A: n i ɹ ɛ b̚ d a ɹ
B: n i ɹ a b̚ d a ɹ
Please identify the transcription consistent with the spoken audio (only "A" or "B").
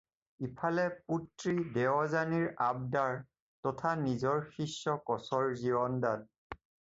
B